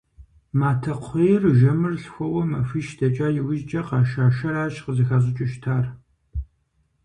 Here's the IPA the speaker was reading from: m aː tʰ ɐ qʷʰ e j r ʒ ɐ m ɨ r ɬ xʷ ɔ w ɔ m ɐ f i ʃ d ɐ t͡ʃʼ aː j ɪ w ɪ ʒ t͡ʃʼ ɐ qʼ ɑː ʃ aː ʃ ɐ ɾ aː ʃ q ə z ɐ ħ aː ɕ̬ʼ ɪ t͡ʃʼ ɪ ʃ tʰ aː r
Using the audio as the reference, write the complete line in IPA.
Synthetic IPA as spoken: m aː tʰ ɐ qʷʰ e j r ʒ ɐ m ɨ r ɬ xʷ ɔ w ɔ m ɐ f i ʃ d ɐ t͡ʃʼ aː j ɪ w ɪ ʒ t͡ʃʼ ɐ q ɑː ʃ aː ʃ ɐ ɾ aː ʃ q ə z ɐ x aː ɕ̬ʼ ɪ t͡ʃʼ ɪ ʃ tʰ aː r